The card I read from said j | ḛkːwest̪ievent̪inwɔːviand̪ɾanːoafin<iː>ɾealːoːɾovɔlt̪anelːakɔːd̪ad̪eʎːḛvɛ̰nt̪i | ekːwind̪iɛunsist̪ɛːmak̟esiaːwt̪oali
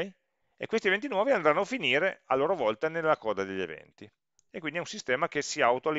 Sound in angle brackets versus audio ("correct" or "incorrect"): correct